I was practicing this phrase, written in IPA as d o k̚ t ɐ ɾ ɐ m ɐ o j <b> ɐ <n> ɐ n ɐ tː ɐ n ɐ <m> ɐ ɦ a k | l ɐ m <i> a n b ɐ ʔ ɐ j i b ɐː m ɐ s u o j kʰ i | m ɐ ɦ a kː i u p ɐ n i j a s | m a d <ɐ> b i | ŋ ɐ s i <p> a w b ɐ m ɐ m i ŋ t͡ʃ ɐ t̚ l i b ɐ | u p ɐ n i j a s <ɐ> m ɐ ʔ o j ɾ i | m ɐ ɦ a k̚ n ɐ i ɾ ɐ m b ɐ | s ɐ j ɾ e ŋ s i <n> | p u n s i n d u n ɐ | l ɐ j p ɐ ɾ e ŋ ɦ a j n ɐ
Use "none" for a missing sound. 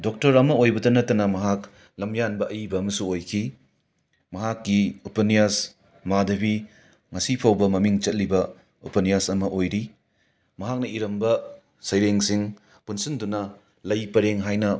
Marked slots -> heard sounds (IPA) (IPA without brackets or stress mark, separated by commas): b, d, m, j, ɐ, pʰ, ɐ, ŋ